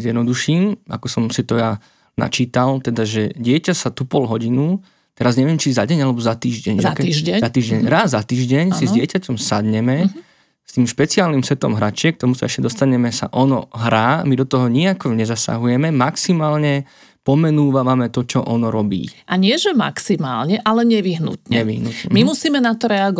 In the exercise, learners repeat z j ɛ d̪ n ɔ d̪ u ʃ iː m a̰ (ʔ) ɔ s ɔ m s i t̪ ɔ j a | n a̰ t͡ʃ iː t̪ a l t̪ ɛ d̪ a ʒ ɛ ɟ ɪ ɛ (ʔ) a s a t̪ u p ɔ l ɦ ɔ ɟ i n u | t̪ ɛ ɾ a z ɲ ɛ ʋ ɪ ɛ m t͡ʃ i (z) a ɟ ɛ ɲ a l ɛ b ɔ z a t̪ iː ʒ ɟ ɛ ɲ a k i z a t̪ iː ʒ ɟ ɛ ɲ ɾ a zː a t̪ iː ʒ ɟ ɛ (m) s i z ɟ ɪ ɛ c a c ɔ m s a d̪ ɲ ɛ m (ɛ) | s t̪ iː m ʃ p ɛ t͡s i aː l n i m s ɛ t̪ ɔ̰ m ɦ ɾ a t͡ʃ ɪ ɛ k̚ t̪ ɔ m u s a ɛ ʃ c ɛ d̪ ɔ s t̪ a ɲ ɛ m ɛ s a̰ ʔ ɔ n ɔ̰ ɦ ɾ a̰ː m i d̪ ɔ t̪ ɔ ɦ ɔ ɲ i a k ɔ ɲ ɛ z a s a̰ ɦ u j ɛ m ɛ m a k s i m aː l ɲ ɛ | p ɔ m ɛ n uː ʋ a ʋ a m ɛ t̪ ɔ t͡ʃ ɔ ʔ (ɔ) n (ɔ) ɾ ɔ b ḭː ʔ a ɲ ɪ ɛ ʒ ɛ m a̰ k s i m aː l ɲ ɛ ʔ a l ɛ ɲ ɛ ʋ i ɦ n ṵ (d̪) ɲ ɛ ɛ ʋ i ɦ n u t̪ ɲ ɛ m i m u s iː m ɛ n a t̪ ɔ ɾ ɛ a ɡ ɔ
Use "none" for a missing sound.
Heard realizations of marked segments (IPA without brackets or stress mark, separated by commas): k, c, z, ɲ, ɛ, ɔ, ɔ, t̪